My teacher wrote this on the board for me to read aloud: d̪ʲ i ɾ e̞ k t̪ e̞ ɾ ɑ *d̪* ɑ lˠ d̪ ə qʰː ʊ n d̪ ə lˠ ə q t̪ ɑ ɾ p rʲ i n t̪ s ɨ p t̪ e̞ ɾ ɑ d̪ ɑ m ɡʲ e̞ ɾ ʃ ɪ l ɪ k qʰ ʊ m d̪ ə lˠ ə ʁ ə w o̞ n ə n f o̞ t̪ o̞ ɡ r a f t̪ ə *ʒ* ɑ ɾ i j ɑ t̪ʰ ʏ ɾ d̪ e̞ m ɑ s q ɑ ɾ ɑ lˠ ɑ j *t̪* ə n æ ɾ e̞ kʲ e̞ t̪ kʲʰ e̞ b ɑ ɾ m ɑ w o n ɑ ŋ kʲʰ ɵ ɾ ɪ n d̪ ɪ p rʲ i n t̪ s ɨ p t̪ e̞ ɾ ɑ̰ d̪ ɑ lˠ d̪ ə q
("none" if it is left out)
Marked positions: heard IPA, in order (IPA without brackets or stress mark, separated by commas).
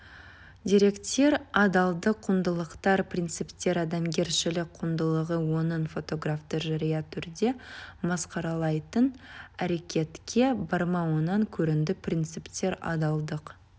d̪, ʒ, t̪